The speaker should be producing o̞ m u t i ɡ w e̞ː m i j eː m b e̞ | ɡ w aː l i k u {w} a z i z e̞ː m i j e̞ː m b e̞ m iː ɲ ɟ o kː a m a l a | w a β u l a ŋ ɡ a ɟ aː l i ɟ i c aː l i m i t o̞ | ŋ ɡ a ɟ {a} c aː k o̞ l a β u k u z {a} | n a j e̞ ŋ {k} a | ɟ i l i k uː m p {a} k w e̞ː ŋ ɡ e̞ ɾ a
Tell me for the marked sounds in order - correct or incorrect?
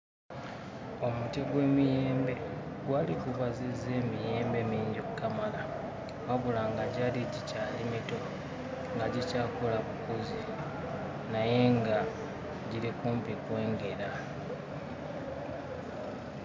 incorrect, incorrect, incorrect, incorrect, incorrect

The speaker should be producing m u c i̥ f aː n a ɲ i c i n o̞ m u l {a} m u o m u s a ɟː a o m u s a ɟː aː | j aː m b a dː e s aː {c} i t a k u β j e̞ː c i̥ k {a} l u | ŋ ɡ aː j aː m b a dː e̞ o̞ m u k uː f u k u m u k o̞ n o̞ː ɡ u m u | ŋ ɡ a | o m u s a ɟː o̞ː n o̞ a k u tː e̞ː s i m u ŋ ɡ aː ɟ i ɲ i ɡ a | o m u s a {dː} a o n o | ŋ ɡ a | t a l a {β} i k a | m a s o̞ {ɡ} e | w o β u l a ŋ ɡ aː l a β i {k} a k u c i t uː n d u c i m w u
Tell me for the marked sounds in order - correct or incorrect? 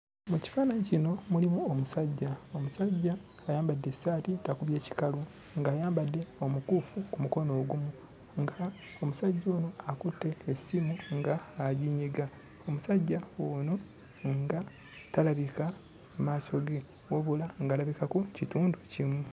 incorrect, incorrect, correct, incorrect, correct, correct, correct

